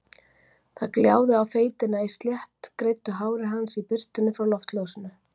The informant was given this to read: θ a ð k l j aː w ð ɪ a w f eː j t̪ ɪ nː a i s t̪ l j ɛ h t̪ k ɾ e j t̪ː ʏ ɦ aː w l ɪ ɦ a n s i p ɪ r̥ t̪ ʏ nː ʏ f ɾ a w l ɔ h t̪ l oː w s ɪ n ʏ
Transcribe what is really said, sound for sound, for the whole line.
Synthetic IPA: θ a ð k l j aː w ð ɪ a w f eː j t̪ ɪ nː a i s t̪ l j ɛ h t̪ k ɾ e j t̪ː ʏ ɦ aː w ɾ ɪ ɦ a n s i p ɪ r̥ t̪ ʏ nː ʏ f ɾ a w l ɔ f t̪ l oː w s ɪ n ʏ